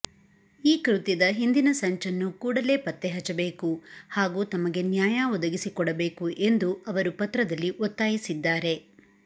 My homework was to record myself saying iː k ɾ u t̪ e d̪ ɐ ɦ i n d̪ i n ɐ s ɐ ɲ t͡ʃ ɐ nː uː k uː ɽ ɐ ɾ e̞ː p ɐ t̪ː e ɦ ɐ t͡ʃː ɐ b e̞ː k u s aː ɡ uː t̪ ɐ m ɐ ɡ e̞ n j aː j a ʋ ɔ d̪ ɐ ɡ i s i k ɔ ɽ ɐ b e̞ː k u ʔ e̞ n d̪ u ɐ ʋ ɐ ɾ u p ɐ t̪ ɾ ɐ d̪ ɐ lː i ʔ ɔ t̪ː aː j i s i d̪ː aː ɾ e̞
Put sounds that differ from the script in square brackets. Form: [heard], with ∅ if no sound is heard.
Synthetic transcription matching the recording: iː k ɾ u t̪ [i] d̪ ɐ ɦ i n d̪ i n ɐ s ɐ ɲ t͡ʃ ɐ nː [u] k uː ɽ ɐ [l] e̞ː p ɐ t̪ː e ɦ ɐ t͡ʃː ɐ b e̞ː k u [h] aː ɡ uː t̪ ɐ m ɐ ɡ e̞ n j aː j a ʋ ɔ d̪ ɐ ɡ i s i k ɔ ɽ ɐ b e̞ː k u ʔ e̞ n d̪ u ɐ ʋ ɐ ɾ u p ɐ t̪ ɾ ɐ d̪ ɐ lː i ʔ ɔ t̪ː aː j i s i d̪ː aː ɾ e̞